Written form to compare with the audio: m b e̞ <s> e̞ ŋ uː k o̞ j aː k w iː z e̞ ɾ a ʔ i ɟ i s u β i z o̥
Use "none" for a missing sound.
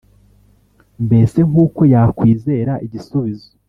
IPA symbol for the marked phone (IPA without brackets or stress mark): s